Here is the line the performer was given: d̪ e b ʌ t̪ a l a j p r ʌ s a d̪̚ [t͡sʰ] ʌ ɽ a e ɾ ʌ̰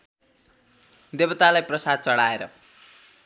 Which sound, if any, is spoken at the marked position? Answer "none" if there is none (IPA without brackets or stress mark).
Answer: t͡s